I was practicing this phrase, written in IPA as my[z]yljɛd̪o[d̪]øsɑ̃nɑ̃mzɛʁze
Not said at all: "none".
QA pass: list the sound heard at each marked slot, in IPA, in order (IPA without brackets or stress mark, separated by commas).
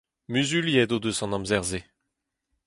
z, d̪